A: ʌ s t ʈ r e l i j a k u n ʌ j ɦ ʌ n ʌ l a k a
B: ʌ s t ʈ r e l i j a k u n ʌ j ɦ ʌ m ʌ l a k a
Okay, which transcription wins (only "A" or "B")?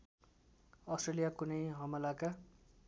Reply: B